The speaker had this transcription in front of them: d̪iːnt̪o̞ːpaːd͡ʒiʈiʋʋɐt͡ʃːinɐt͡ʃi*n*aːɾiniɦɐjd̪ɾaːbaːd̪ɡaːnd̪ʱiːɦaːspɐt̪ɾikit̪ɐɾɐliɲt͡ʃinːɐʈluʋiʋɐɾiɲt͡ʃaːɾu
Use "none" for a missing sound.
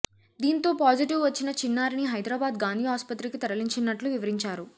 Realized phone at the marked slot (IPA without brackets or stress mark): nː